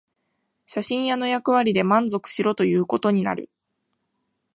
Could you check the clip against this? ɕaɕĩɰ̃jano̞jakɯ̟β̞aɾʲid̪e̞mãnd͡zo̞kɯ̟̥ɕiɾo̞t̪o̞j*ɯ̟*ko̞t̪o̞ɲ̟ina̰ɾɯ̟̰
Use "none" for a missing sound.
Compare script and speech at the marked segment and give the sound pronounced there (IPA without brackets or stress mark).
ɯ̟ː